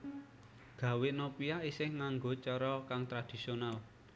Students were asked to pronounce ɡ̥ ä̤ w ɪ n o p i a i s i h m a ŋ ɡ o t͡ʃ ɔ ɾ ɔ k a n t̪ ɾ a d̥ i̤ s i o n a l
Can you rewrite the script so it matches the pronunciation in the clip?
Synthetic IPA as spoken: ɡ̥ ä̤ w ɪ n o p i a i s ɪ h ŋ a ŋ ɡ o t͡ʃ ɔ ɾ ɔ k a ŋ t̪ ɾ a d̥ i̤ s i o n a l